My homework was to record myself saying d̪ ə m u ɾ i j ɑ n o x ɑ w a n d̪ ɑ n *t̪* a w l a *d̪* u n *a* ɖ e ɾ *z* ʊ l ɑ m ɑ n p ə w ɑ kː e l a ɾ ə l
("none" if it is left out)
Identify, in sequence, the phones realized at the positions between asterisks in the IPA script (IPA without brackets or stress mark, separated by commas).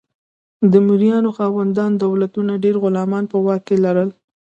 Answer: d̪, t̪, a, ɣ